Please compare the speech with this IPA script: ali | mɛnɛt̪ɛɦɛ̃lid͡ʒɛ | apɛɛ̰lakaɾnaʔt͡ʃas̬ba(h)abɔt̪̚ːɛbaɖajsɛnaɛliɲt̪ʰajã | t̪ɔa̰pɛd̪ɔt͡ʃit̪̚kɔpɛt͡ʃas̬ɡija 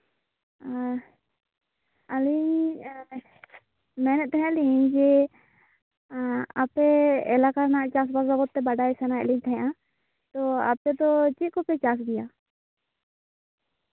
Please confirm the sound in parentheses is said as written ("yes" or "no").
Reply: no